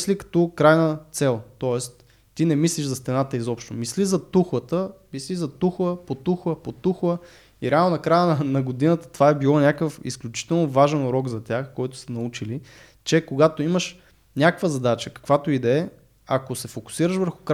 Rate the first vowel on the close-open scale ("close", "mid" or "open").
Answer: close